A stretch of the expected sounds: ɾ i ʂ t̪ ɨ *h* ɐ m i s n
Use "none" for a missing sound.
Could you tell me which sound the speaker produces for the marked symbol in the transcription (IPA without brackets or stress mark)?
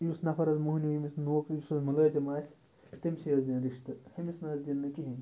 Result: h